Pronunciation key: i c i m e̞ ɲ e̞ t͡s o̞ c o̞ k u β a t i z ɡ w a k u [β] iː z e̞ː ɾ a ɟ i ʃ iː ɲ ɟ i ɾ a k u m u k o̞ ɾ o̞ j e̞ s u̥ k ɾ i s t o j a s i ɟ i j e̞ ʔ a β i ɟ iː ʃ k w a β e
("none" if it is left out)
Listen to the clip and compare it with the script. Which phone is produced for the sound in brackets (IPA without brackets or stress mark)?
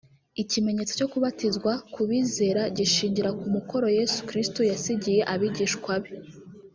β